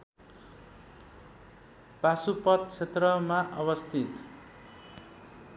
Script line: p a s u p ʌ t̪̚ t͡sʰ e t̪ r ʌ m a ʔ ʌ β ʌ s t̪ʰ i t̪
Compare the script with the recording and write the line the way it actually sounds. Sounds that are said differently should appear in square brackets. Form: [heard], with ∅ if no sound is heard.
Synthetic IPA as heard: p a s u p ʌ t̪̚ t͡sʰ e t̪ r ʌ m a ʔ ʌ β ʌ s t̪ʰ i t̪